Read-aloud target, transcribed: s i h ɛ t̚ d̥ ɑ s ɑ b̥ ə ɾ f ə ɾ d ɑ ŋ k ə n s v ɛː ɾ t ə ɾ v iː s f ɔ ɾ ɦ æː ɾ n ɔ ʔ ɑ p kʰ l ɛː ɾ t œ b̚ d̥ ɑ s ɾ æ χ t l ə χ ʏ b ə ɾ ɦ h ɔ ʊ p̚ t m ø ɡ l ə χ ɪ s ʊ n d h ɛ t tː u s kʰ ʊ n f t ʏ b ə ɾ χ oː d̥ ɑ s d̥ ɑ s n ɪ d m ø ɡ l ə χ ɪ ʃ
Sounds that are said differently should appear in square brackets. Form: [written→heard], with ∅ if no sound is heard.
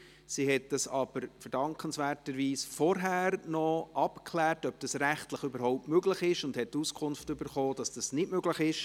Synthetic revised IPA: s i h ɛ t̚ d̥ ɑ s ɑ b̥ ə ɾ f ə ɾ d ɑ ŋ k ə n s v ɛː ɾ t ə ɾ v iː s f ɔ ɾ ɦ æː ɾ n ɔ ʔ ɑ p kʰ l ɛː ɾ t œ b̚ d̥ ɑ s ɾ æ χ t l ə χ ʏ b ə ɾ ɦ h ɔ ʊ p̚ t m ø ɡ l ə χ ɪ [s→ʃ] ʊ n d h ɛ t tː u s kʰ ʊ n f t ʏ b ə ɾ χ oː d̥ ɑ s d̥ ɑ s n ɪ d m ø ɡ l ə χ ɪ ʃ